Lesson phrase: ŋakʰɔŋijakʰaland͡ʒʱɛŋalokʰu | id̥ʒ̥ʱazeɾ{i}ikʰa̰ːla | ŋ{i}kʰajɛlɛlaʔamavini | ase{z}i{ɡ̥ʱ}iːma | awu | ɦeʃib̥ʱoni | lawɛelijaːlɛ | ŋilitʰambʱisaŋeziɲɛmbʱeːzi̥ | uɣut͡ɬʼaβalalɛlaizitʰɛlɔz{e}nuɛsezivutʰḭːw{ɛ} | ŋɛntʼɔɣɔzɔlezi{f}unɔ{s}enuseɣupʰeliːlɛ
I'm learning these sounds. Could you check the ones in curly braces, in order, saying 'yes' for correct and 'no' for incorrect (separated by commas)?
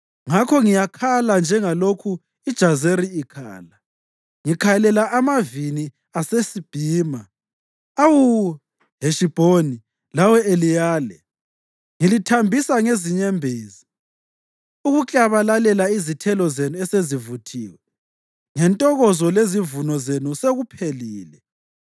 yes, yes, no, no, yes, yes, no, no